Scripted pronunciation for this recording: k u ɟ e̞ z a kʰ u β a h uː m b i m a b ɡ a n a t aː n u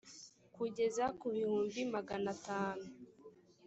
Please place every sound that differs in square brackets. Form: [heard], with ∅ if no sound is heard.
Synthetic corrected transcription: k u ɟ e̞ z a [k] u β [i] h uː m b i m a [∅] ɡ a n a t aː n u